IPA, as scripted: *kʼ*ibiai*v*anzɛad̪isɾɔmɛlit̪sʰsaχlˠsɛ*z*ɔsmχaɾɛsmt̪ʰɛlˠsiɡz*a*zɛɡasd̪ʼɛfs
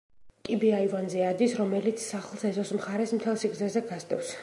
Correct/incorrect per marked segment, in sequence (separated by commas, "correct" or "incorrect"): correct, correct, correct, incorrect